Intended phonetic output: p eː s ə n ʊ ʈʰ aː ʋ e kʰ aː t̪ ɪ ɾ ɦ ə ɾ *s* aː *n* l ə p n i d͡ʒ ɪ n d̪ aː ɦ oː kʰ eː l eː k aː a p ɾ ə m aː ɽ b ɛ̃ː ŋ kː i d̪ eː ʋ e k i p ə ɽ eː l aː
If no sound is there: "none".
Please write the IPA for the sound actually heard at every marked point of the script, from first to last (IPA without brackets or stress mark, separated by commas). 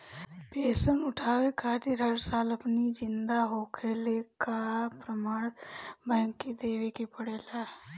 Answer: s, none